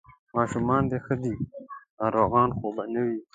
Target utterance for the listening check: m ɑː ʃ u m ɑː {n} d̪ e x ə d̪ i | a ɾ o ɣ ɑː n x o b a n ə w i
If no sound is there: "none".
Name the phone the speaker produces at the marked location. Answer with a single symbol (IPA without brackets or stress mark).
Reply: n